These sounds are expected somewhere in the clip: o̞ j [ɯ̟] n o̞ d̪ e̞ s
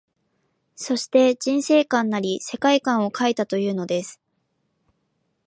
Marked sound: incorrect: ɯ̟ː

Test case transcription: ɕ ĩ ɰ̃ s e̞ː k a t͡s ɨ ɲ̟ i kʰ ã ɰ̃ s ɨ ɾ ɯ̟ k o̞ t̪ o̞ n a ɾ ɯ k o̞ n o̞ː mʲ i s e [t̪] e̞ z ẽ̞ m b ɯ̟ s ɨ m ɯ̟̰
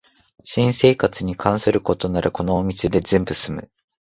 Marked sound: incorrect: d̪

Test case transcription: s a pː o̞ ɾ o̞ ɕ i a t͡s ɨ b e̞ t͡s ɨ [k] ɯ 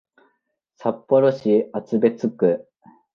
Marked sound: correct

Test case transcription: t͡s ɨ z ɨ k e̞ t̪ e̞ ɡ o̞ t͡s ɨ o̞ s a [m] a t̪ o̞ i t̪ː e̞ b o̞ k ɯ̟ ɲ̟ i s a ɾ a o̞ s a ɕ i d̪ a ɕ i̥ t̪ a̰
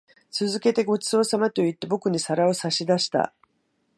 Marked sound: correct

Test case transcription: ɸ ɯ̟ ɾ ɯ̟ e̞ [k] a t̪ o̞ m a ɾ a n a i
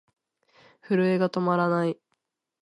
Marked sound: incorrect: ɡ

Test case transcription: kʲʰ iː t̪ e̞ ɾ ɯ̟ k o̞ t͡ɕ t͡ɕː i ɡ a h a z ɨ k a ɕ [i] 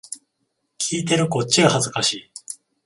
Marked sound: incorrect: iː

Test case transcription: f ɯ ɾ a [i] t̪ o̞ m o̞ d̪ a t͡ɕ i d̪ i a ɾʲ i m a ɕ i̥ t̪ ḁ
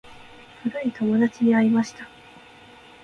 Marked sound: correct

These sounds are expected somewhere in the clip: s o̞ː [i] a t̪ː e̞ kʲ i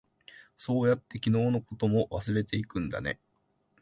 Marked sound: incorrect: j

